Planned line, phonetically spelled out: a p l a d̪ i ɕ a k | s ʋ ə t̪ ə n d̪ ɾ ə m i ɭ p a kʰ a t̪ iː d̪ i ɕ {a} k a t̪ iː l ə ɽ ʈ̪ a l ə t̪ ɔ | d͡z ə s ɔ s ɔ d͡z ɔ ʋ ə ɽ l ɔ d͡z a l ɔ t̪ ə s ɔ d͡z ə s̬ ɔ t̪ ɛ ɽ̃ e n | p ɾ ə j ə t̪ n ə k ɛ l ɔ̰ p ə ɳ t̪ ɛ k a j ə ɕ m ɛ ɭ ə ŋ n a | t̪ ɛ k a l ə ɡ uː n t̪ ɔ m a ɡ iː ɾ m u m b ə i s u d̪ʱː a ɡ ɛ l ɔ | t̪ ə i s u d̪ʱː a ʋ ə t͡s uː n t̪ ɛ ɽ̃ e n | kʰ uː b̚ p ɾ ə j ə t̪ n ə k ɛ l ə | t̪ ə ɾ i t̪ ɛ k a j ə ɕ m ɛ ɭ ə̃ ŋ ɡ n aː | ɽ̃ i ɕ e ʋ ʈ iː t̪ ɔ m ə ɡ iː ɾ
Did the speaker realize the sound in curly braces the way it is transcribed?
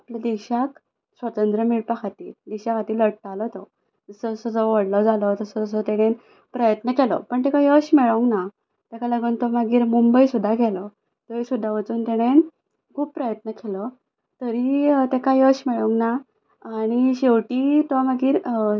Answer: yes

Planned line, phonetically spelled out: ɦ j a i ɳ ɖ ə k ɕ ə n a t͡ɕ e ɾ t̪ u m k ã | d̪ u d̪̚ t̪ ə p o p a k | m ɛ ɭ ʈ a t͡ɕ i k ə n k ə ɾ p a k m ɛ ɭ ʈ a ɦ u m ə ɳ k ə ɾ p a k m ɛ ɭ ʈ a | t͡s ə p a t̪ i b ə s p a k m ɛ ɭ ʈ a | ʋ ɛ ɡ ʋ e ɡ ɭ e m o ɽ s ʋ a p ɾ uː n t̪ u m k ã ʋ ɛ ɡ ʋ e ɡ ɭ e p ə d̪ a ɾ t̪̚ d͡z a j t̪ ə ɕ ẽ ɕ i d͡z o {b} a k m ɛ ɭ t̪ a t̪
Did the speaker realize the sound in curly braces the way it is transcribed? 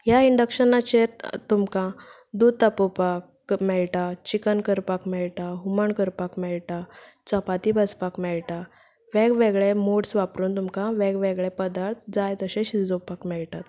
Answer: no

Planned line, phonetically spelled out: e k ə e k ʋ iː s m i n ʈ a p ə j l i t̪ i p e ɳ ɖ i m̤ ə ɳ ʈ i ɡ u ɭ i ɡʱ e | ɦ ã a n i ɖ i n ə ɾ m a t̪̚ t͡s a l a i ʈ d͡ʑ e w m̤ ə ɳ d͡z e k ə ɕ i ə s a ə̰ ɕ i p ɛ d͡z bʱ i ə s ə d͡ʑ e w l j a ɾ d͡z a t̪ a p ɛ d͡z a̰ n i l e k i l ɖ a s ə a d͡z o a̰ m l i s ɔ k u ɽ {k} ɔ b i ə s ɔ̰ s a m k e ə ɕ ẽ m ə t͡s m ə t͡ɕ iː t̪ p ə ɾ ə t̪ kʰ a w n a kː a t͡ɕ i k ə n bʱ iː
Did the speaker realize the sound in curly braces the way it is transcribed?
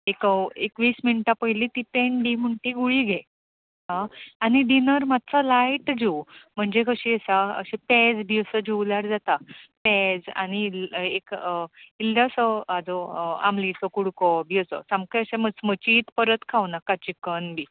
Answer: yes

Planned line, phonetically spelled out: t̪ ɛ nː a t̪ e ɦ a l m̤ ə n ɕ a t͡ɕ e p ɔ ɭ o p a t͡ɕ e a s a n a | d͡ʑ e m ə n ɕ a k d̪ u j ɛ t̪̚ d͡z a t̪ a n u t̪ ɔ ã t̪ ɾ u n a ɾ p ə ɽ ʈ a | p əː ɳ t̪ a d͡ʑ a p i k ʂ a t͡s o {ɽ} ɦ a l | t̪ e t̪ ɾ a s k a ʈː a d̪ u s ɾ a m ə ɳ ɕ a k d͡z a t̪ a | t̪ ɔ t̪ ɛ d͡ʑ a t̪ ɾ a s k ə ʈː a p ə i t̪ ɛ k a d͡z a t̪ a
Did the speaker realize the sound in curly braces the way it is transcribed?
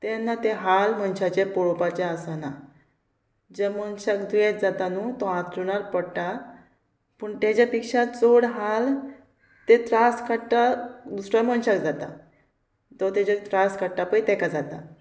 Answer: yes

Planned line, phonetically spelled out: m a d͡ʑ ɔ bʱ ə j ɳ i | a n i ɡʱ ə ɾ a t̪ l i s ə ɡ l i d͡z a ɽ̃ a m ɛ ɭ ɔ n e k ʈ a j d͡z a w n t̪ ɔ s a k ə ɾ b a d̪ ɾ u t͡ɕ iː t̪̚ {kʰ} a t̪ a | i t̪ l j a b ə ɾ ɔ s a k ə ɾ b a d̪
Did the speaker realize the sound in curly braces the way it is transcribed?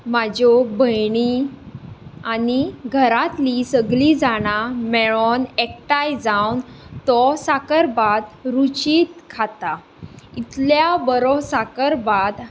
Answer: yes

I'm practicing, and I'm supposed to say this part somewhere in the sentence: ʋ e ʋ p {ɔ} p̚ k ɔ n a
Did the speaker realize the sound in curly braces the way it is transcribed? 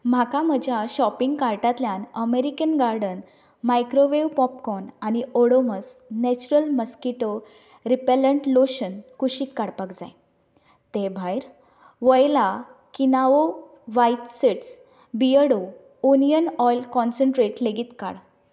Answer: yes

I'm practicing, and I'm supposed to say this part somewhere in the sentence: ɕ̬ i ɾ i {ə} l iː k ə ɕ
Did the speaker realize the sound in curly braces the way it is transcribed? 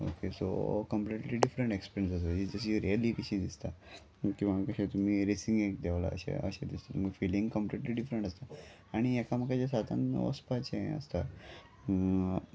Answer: yes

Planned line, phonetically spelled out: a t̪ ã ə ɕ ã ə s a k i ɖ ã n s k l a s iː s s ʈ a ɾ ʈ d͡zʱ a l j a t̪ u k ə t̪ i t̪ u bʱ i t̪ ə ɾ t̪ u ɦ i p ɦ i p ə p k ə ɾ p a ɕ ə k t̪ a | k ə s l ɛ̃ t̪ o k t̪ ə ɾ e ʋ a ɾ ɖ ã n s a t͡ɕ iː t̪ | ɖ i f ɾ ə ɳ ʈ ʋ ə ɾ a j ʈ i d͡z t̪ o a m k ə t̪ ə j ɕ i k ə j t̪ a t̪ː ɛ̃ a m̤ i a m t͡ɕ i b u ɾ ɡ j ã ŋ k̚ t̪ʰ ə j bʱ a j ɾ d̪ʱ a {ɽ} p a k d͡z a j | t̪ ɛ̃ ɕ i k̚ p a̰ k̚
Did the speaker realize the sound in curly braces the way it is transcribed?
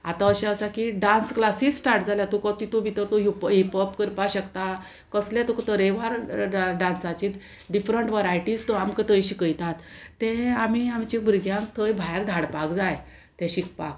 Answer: yes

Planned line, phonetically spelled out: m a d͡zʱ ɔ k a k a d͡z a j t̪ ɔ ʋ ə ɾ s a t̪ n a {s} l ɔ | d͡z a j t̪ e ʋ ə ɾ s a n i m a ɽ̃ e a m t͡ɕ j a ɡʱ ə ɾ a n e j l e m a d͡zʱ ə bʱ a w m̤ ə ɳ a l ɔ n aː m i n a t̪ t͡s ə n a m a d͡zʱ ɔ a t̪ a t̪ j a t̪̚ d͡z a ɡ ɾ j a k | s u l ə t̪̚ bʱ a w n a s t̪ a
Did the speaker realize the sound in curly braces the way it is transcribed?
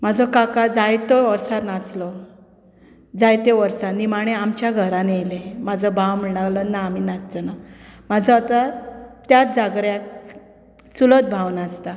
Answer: no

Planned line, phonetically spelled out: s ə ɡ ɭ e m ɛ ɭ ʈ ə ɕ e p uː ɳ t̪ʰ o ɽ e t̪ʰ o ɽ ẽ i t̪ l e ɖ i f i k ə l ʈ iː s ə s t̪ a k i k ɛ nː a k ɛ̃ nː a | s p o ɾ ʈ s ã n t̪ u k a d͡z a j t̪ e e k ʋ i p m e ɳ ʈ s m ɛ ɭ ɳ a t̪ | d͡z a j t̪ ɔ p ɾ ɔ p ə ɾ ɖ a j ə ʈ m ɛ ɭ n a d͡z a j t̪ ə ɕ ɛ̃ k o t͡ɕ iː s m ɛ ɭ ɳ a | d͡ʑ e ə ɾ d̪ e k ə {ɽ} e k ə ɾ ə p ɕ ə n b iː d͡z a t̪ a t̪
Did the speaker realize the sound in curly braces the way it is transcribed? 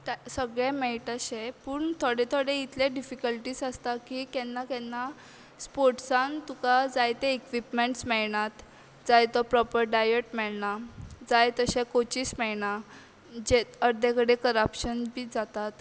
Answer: yes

